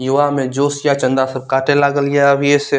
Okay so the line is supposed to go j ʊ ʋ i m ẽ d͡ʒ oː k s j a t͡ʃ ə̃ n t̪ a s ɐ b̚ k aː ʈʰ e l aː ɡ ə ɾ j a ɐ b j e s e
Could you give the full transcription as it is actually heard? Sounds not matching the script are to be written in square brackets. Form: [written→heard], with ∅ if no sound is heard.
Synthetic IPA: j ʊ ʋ [i→a] m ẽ d͡ʒ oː [k→∅] s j a t͡ʃ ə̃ n [t̪→d̪] a s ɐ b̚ k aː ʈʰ e l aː ɡ ə [ɾ→l] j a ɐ b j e s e